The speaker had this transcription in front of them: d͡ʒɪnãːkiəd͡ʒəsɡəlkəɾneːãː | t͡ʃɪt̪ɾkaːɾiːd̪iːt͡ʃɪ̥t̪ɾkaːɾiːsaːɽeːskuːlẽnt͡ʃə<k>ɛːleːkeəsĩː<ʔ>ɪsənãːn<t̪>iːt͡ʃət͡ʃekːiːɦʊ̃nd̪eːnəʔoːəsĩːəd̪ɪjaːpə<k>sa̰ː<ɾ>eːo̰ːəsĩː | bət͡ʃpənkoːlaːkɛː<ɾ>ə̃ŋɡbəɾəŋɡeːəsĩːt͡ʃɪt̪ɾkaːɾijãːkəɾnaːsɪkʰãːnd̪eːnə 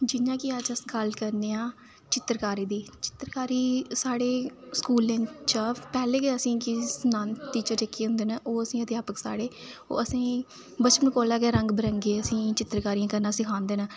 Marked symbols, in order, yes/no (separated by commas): no, no, yes, yes, no, yes